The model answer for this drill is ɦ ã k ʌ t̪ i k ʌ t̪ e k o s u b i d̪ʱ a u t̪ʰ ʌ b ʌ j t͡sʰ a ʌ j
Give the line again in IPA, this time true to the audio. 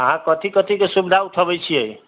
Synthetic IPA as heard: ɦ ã k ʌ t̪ i k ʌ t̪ i k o s u b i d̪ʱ a u t̪ʰ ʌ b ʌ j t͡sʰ i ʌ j